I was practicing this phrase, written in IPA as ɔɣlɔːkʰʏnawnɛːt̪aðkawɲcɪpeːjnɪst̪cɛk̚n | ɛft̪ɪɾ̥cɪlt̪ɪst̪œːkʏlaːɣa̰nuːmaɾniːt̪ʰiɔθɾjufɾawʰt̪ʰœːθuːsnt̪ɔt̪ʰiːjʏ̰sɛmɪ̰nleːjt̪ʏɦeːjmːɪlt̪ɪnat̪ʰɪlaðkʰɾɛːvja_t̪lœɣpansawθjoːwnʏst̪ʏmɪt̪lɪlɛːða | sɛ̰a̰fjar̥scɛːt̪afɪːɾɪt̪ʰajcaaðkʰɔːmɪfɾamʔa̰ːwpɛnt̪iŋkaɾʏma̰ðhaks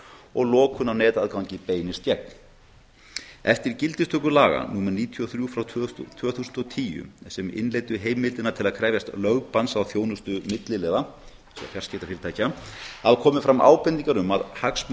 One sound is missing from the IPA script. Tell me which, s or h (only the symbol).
s